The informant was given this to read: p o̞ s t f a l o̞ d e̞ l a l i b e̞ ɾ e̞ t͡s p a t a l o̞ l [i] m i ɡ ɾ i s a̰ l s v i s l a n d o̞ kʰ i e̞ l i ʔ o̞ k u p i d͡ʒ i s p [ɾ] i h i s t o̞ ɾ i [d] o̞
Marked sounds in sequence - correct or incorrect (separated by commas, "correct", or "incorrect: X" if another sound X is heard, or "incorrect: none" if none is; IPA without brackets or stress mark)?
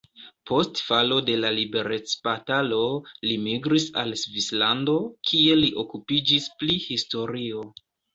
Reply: correct, incorrect: l, incorrect: none